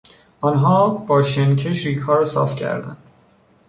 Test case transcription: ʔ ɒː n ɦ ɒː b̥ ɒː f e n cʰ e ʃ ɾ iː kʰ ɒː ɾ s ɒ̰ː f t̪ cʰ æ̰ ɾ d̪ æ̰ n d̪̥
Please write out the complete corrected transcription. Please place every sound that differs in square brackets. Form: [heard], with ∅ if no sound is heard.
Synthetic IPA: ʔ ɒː n ɦ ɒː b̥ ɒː [ʃ] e n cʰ e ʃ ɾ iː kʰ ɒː ɾ s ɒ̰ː f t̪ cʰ æ̰ ɾ d̪ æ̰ n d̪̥